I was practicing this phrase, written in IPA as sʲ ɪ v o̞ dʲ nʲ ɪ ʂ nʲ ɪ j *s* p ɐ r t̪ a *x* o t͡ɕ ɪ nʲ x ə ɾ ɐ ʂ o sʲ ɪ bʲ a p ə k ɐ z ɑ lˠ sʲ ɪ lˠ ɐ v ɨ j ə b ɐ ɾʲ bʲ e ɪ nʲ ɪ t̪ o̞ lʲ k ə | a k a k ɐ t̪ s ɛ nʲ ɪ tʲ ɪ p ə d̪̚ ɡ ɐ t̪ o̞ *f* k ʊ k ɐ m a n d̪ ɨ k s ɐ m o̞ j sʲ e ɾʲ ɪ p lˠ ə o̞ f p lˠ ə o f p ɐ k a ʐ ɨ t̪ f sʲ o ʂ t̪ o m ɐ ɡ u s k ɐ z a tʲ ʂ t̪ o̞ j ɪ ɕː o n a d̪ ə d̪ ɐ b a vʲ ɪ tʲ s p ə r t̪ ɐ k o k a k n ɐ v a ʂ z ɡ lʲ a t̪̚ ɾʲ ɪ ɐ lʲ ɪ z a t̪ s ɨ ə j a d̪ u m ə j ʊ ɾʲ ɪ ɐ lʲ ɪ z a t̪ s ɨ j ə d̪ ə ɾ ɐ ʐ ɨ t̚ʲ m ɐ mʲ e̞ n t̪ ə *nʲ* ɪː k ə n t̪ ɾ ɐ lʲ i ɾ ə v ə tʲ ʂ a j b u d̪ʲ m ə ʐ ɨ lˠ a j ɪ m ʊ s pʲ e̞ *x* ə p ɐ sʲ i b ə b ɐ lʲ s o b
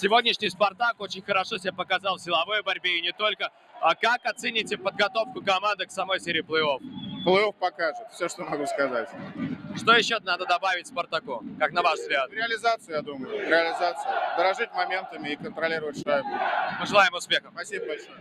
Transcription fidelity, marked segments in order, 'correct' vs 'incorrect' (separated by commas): correct, incorrect, correct, incorrect, correct